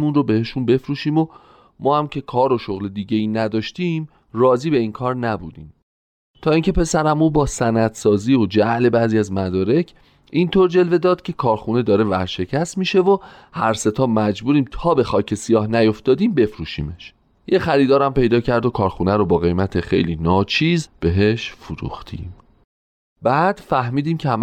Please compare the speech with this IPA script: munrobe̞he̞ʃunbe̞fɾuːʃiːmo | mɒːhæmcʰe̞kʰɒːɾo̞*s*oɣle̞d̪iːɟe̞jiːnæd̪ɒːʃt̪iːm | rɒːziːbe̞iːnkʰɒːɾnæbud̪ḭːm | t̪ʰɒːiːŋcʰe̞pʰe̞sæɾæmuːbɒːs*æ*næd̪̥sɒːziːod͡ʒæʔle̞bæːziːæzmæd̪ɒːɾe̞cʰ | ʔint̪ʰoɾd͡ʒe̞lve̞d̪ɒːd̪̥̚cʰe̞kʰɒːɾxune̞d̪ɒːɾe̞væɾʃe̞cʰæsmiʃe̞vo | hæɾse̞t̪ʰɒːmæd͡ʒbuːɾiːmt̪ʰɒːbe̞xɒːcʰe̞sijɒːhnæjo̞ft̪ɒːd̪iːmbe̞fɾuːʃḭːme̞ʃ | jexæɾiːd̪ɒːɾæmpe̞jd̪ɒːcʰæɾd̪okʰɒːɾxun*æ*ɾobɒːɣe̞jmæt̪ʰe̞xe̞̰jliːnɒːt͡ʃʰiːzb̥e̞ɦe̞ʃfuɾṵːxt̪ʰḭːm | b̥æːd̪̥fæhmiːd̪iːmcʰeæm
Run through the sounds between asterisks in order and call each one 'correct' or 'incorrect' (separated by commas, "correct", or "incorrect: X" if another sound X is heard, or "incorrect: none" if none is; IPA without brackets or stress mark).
incorrect: ʃ, correct, correct